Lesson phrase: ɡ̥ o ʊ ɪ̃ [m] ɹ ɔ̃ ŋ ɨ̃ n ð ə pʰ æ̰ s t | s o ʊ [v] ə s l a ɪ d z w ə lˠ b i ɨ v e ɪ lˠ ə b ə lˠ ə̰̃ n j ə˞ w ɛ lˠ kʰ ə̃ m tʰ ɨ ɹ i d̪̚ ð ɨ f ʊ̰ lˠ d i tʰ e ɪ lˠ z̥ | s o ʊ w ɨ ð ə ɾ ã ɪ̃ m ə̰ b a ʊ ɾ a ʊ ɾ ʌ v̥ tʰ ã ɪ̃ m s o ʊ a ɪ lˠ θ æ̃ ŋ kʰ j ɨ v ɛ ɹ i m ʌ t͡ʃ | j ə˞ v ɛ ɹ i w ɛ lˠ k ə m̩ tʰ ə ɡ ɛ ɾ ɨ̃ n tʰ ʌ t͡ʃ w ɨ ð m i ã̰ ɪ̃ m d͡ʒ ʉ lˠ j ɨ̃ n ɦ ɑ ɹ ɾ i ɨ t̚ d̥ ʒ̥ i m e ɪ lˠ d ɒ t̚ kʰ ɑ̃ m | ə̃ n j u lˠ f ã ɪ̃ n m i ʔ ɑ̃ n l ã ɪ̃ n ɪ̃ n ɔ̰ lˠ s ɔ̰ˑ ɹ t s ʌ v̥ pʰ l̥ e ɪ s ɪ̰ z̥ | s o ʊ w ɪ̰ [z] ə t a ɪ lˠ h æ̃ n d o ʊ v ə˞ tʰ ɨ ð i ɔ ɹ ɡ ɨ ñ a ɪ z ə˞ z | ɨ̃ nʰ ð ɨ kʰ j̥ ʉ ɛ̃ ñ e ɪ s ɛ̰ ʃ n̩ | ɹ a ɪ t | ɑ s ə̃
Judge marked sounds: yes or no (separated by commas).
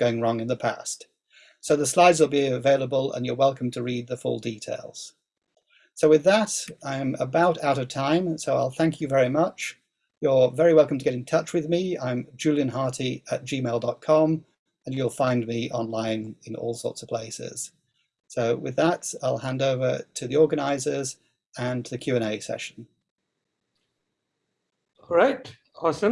no, no, no